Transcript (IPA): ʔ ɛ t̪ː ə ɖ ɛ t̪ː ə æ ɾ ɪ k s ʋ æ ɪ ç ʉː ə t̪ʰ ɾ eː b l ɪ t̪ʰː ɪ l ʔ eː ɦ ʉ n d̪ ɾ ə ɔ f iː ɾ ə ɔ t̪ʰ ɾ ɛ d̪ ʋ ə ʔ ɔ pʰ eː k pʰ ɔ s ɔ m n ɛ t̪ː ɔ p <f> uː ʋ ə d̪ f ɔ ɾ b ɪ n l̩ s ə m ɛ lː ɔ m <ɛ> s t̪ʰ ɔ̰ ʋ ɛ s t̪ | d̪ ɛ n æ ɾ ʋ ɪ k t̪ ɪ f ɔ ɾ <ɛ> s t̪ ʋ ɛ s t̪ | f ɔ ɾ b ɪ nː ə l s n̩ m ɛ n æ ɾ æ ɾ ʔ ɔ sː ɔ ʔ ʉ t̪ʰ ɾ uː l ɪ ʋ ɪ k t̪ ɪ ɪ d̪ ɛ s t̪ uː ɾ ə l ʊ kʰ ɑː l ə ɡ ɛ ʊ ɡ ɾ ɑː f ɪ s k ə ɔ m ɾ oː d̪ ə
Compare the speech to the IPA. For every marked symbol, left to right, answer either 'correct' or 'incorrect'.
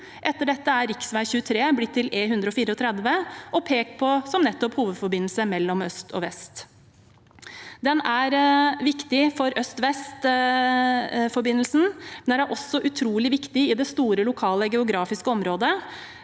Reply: incorrect: h, incorrect: œ, incorrect: œ

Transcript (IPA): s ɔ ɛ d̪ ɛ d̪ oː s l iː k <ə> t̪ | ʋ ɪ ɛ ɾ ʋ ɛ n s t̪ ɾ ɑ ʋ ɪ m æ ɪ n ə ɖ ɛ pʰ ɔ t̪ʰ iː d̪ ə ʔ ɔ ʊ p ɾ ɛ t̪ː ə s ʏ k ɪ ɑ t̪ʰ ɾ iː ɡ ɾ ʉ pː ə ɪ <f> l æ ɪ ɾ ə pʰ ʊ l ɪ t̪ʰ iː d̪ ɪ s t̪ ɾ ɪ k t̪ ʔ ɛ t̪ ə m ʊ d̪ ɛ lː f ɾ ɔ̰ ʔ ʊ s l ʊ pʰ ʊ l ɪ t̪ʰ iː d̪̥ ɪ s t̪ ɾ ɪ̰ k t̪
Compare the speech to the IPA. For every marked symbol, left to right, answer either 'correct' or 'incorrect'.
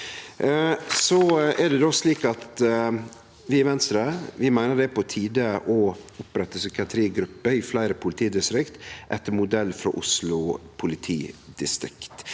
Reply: incorrect: ɑ, correct

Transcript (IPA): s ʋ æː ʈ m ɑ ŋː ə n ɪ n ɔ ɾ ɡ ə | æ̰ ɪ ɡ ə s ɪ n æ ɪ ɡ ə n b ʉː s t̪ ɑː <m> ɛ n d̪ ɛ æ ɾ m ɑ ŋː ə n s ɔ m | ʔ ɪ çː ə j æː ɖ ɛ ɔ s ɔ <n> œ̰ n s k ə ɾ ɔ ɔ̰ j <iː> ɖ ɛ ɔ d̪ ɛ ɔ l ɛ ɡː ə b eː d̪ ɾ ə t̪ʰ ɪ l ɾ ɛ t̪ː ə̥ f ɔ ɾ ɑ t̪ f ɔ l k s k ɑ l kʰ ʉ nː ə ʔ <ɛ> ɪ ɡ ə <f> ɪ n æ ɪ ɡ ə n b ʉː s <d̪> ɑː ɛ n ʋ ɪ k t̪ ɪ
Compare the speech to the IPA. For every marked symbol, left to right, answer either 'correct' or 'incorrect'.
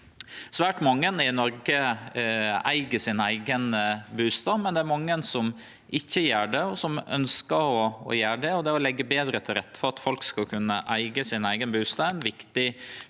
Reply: correct, incorrect: m, incorrect: æː, incorrect: æ, incorrect: s, incorrect: t̪

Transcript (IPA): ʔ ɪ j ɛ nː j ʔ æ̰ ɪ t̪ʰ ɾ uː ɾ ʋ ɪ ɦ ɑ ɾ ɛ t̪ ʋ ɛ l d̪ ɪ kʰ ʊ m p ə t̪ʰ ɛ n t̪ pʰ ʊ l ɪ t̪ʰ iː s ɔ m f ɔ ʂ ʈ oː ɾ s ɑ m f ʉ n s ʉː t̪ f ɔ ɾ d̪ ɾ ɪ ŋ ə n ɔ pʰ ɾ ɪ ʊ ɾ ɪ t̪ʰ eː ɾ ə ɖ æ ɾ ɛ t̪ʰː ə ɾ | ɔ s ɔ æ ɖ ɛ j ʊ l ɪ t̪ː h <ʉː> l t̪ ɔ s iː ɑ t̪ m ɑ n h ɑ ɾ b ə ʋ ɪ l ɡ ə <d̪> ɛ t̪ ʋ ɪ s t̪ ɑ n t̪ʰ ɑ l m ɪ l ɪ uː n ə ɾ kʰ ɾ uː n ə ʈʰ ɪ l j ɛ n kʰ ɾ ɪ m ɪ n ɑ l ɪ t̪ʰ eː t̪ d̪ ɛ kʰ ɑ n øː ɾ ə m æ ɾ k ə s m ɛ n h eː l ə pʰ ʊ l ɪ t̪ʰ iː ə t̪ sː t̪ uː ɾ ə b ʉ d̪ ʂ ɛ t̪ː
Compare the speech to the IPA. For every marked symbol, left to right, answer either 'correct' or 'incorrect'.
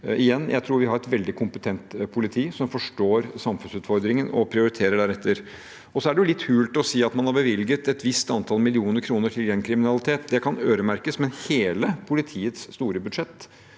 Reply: correct, incorrect: t̪

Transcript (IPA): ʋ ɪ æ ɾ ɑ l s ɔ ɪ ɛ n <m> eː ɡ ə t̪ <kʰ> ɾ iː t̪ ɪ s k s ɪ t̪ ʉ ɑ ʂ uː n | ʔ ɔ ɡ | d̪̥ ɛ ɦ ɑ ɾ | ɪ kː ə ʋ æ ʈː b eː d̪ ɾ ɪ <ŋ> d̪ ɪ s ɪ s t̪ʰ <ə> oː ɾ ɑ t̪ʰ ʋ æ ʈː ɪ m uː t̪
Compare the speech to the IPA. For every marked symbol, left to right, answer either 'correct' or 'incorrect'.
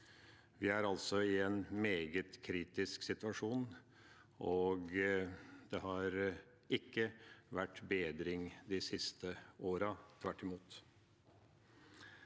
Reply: correct, correct, correct, correct

